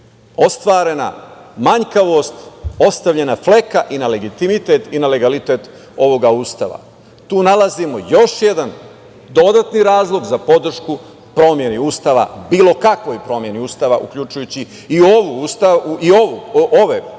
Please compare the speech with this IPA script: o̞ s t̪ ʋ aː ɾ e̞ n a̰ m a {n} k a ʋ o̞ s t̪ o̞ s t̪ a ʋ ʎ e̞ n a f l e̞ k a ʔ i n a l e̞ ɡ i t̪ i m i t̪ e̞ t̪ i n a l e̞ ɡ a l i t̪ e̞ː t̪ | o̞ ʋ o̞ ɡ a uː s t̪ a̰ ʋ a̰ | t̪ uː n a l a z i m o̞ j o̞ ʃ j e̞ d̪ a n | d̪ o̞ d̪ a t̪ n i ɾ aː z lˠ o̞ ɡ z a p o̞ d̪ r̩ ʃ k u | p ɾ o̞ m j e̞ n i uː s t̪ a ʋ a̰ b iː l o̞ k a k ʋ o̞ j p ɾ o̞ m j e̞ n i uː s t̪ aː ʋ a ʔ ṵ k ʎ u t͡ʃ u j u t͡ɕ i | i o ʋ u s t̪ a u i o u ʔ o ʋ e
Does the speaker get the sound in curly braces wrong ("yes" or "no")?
yes